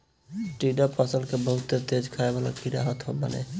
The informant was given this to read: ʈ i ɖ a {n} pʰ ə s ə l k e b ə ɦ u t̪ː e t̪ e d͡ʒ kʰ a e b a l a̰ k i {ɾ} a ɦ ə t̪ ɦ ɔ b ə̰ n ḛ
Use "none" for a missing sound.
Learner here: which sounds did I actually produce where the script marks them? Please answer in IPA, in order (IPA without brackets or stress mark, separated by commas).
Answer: none, ɾ